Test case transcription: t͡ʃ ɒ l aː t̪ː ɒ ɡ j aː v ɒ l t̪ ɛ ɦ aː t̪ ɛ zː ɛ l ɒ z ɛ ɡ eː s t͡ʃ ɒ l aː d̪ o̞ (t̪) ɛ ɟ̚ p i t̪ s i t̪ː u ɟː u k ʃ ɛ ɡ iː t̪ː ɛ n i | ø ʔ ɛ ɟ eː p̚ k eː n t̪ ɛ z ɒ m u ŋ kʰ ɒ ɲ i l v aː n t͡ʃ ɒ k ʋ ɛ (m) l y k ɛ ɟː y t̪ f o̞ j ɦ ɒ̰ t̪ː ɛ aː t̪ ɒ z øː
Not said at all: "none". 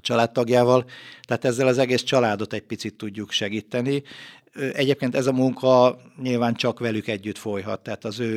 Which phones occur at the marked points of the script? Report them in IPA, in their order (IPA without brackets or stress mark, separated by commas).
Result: t̪, none